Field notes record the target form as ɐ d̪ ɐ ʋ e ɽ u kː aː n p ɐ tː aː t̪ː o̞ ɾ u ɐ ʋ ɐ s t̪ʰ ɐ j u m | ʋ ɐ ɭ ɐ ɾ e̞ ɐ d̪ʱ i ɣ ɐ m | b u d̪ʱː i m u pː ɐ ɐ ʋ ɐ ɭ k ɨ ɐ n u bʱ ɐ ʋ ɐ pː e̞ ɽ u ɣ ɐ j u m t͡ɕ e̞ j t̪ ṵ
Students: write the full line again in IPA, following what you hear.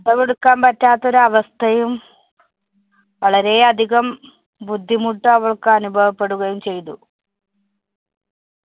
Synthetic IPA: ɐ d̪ ɐ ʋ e ɽ u kː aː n p ɐ tː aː t̪ː o̞ ɾ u ɐ ʋ ɐ s t̪ʰ ɐ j u m | ʋ ɐ ɭ ɐ ɾ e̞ ɐ d̪ʱ i ɣ ɐ m | b u d̪ʱː i m u ʈː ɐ ɐ ʋ ɐ ɭ k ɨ ɐ n u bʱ ɐ ʋ ɐ pː e̞ ɽ u ɣ ɐ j u m t͡ɕ e̞ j t̪ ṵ